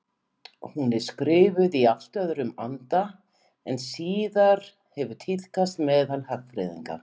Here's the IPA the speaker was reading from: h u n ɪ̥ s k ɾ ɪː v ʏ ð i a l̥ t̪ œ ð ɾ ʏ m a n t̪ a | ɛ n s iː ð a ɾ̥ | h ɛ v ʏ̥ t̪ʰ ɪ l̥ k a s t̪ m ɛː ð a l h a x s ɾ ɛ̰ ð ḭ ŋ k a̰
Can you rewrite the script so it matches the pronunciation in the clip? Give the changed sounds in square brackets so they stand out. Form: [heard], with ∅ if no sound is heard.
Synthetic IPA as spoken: h u n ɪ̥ s k ɾ ɪː v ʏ ð i a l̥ t̪ œ ð ɾ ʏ m a n t̪ a | ɛ n s iː ð a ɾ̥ | h ɛ v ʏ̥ t̪ʰ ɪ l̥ k a s t̪ m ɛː ð a l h a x [f] ɾ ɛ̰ ð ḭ ŋ k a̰

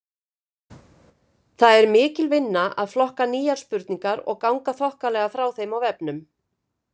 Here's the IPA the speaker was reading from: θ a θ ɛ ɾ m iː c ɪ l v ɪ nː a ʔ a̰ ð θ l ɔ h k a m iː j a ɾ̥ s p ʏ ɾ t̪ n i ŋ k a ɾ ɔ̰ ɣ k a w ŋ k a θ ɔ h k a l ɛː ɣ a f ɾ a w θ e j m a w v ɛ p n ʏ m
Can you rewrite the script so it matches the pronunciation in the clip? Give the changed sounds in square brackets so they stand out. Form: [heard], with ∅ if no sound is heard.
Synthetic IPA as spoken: θ a [ð] ɛ ɾ m [ɪː] c ɪ l v ɪ nː a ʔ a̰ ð [f] l ɔ h k a [n] iː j a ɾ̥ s p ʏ ɾ t̪ n i ŋ k a ɾ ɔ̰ ɣ k a w ŋ k a θ ɔ h k a l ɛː ɣ a f ɾ a w θ e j m a w v ɛ p n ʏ m

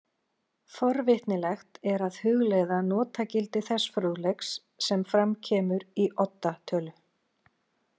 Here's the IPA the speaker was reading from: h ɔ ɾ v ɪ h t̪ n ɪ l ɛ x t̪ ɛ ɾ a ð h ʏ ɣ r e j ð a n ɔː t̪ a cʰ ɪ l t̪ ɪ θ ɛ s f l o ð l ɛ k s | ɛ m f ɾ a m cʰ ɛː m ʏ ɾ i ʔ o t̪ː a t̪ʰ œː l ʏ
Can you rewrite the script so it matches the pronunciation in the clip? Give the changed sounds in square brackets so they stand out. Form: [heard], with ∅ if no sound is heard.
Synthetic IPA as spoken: [f] ɔ ɾ v ɪ h t̪ n ɪ l ɛ x t̪ ɛ ɾ a ð h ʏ ɣ [l] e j ð a n ɔː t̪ a [c] ɪ l t̪ ɪ θ ɛ s f [ɾ] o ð l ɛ k [sː] | ɛ m f ɾ a m cʰ ɛː m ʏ ɾ i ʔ [ɔ] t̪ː a t̪ʰ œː l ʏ

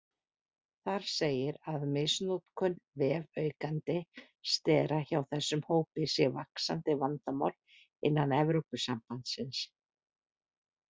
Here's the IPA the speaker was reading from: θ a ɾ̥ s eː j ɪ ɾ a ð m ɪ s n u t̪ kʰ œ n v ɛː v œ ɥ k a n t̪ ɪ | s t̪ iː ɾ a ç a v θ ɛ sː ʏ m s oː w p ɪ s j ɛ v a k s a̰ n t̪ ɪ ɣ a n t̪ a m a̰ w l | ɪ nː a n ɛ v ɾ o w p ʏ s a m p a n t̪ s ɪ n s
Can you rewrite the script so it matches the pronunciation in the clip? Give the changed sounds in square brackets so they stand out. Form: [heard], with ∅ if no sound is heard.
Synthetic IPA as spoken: θ a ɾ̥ s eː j ɪ ɾ a ð m ɪ s n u t̪ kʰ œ n v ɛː v œ ɥ k a n t̪ ɪ | s t̪ [ɛː] ɾ a ç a [w] θ ɛ sː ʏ m [h] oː w p ɪ s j ɛ v a k s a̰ n t̪ ɪ [v] a n t̪ a m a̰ w l | ɪ nː a n ɛ v ɾ o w p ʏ s a m p a n t̪ s ɪ n s

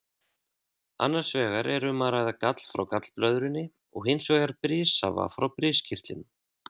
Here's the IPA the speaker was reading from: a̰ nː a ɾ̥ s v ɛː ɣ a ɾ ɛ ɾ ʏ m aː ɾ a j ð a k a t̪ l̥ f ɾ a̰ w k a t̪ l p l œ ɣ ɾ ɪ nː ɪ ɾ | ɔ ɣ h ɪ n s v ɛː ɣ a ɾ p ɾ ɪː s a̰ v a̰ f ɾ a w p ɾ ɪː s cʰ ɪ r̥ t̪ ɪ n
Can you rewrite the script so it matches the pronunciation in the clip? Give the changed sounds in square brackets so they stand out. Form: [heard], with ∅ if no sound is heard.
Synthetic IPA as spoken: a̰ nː a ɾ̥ s v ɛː ɣ a ɾ ɛ ɾ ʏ m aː ɾ a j ð a k a t̪ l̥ f ɾ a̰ w k a t̪ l p l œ [ð] ɾ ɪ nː ɪ [∅] | ɔ ɣ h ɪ n s v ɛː ɣ a ɾ p ɾ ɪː s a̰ v a̰ f ɾ a w p ɾ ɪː s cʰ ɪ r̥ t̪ ɪ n

